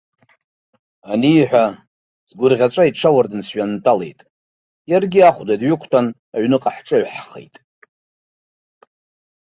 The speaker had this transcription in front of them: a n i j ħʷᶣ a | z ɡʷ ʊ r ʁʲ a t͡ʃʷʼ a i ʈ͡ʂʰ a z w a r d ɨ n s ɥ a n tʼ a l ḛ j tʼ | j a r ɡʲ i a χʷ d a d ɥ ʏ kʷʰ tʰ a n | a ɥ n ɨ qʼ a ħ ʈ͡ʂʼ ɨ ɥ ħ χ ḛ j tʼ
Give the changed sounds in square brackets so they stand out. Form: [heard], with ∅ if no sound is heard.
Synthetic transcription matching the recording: a n i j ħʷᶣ a | z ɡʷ ʊ r ʁʲ a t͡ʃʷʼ a i ʈ͡ʂʰ a [∅] w a r d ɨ n s ɥ a n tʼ a l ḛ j tʼ | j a r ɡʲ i a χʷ d a d ɥ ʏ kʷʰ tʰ a n | a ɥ n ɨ qʼ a ħ ʈ͡ʂʼ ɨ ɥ ħ χ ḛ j tʼ